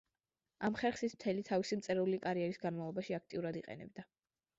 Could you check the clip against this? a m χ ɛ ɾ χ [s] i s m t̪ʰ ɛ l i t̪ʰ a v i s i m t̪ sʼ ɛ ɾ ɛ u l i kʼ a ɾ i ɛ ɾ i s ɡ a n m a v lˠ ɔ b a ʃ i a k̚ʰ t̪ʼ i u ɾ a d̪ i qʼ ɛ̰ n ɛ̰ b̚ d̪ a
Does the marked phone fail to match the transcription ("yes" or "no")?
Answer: no